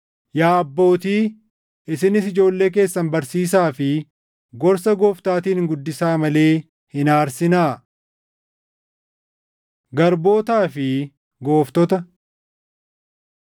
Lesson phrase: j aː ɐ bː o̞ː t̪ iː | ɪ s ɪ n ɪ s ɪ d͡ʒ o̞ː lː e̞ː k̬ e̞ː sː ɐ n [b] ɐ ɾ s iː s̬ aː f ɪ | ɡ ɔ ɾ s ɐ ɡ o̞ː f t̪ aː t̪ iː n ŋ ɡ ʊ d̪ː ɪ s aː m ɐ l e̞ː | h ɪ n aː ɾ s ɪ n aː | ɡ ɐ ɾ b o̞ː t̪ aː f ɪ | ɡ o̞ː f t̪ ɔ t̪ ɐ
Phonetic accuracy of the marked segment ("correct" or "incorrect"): correct